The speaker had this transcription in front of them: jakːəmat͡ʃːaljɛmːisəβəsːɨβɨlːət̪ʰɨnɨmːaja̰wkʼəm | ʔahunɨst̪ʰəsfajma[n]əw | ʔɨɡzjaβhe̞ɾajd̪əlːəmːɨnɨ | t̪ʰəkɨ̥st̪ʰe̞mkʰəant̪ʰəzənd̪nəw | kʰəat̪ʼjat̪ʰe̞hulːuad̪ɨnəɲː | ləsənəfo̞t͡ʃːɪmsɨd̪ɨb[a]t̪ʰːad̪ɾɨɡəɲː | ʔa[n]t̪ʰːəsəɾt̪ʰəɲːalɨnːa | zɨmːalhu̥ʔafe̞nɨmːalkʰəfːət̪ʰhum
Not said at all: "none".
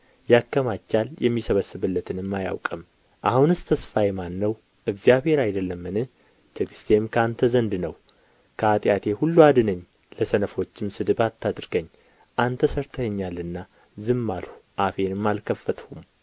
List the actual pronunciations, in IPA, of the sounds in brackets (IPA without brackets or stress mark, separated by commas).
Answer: nː, a, n